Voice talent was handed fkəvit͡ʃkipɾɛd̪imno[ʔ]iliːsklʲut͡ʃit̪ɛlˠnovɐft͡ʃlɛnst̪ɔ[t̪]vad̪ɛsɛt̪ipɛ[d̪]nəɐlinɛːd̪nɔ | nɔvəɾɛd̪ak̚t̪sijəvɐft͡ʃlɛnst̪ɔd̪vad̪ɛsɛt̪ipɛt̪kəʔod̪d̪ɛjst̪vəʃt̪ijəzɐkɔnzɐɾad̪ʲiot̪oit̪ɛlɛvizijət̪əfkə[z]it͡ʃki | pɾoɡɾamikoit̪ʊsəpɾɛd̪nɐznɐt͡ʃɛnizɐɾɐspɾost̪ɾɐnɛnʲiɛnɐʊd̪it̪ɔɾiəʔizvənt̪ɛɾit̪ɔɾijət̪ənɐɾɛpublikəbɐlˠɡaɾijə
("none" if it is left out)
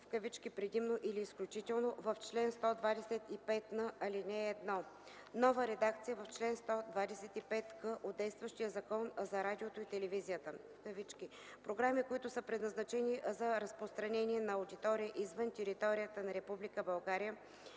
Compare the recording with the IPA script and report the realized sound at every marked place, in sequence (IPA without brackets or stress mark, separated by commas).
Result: ʔ, d̪, t̪, v